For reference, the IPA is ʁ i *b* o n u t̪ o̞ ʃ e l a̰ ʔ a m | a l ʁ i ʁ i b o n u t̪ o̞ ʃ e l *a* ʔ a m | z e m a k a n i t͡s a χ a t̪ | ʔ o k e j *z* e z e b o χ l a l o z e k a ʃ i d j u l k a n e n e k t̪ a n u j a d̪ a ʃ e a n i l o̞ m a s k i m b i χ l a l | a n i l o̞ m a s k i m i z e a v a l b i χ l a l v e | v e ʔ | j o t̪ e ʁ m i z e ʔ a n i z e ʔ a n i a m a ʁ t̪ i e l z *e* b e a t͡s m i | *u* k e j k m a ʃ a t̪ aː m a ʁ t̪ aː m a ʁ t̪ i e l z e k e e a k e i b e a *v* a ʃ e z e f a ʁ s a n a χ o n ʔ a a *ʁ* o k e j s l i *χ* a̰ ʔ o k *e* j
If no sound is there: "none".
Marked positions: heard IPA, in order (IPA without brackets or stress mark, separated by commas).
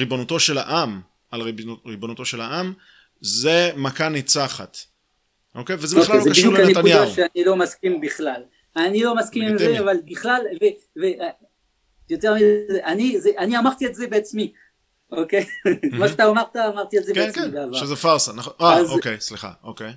b, a, v, e, o, v, z, χ, e